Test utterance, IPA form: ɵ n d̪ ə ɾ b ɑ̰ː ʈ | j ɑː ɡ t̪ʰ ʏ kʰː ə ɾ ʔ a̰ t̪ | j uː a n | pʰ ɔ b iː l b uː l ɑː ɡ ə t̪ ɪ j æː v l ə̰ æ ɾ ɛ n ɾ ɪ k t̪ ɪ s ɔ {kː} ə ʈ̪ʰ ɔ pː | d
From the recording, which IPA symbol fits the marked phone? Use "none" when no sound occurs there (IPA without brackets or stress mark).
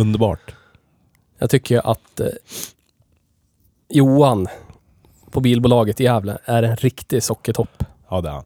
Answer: kː